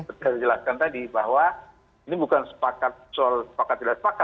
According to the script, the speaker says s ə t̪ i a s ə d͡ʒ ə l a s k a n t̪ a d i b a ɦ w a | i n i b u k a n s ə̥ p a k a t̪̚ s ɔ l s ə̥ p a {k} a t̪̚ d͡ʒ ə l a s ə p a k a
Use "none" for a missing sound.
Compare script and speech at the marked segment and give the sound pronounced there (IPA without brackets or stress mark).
k